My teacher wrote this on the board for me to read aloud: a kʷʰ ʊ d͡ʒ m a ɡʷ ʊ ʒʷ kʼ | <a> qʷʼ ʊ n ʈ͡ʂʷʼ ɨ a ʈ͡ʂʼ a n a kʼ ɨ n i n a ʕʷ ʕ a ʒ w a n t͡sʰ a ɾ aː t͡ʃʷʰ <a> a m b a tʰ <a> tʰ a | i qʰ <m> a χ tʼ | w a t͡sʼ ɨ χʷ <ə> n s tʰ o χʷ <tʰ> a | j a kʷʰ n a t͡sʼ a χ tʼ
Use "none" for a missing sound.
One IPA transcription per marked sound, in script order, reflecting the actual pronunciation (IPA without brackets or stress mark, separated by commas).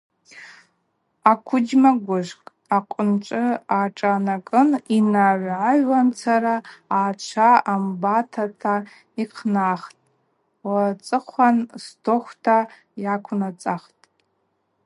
a, a, a, n, a, tʰ